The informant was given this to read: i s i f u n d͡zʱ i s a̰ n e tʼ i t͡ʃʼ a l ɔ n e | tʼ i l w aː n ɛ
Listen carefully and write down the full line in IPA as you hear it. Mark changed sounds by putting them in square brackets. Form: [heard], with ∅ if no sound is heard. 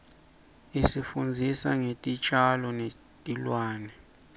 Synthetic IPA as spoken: i s i f u n d͡zʱ i s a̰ [ŋ] e tʼ i t͡ʃʼ a l ɔ n e | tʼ i l w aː n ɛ